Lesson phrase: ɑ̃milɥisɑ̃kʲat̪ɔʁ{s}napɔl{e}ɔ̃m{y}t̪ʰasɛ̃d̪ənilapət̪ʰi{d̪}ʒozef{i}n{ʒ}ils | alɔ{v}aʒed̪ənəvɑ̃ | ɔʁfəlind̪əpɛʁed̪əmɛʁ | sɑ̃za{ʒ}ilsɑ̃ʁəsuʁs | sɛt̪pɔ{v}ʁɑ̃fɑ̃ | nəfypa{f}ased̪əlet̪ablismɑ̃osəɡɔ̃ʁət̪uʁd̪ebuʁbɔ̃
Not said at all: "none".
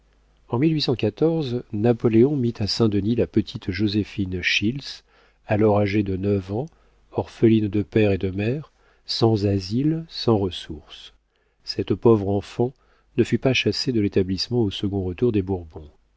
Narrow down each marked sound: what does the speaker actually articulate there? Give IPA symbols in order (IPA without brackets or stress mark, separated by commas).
z, e, i, t̪, i, ʃ, ʁ, z, v, ʃ